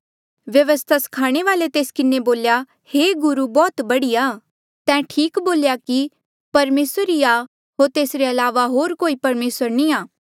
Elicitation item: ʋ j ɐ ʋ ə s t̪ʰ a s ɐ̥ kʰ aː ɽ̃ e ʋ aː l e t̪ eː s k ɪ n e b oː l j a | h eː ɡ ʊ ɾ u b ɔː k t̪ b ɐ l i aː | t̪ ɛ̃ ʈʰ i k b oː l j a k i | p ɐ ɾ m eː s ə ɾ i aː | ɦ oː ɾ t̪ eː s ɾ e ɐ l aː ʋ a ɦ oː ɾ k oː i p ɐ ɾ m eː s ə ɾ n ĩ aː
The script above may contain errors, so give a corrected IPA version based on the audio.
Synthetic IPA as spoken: ʋ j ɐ ʋ ə s t̪ʰ a s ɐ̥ kʰ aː ɽ̃ e ʋ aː l e t̪ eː s k ɪ n e b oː l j a | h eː ɡ ʊ ɾ u b ɔː t̪ b ɐ ɽ i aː | t̪ ɛ̃ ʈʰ iː k b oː l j a k i | p ɐ ɾ m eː s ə ɾ i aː | ɦ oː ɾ t̪ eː s ɾ e ɐ l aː ʋ a ɦ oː ɾ k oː i p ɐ ɾ m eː s ə ɾ n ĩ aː